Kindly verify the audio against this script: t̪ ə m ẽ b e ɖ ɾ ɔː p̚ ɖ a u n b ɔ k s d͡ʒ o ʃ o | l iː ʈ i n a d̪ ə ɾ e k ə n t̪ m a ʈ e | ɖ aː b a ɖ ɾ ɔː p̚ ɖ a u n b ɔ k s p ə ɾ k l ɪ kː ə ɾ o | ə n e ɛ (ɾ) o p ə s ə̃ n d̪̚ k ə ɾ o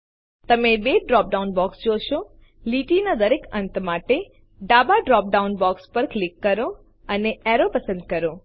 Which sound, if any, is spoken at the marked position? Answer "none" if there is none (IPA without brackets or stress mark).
ɾ